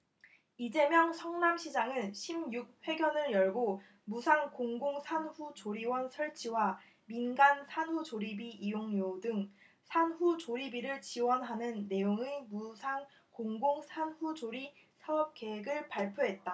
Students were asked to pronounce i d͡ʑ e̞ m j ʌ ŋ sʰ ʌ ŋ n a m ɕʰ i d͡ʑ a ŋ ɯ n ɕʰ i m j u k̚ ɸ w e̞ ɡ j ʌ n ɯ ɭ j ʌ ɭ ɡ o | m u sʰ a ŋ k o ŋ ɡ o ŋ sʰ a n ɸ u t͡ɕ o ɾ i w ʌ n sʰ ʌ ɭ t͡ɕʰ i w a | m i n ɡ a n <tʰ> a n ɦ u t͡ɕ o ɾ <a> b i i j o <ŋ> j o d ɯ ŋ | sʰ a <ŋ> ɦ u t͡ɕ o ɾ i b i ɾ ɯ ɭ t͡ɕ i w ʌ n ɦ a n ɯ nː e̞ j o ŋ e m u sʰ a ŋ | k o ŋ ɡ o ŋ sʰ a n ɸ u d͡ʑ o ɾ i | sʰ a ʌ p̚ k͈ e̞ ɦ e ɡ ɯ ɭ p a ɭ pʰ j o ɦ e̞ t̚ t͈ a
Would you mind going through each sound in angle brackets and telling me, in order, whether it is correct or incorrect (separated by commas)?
incorrect, incorrect, correct, incorrect